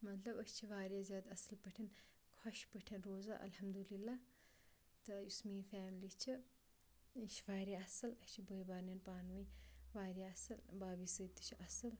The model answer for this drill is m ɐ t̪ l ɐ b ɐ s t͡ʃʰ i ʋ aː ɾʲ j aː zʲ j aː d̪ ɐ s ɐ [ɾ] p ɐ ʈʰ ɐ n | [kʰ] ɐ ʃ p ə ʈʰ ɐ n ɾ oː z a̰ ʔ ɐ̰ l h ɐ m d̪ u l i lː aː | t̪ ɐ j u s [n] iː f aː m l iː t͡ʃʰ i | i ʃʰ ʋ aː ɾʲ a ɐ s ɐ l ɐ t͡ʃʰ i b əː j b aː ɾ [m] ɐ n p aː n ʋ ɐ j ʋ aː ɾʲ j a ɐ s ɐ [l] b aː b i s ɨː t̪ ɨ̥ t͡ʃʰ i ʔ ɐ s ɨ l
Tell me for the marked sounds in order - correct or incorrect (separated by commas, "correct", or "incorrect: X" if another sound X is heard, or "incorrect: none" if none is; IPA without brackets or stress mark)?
incorrect: l, correct, incorrect: m, incorrect: n, correct